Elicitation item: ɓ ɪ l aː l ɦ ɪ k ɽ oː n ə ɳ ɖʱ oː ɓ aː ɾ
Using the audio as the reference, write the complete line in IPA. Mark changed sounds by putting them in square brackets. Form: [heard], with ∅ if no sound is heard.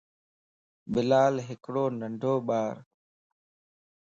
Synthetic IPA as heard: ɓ ɪ l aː l ɦ ɪ k ɽ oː n ə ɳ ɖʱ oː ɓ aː ɾ